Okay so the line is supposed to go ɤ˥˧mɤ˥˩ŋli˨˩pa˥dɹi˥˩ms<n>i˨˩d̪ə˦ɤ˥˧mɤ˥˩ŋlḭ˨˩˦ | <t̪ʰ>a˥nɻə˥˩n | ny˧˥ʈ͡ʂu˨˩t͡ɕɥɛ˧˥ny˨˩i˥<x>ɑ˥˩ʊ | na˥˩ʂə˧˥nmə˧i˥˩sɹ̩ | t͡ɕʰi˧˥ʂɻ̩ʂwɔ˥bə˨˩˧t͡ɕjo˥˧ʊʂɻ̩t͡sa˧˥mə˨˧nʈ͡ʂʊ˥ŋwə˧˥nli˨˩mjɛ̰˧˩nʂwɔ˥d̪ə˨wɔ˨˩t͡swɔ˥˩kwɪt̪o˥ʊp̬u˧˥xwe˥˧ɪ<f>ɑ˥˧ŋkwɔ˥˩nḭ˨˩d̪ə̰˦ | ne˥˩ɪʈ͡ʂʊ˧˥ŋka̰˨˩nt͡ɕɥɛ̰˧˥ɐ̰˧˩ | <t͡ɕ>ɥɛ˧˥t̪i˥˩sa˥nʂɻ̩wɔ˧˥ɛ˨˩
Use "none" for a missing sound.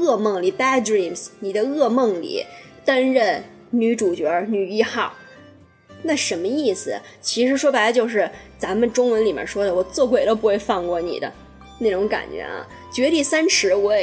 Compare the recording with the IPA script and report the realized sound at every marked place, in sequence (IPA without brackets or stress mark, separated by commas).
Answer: n, t̪, x, f, t͡ɕ